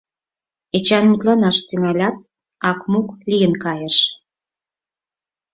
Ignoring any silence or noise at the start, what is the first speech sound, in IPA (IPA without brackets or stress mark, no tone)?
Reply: e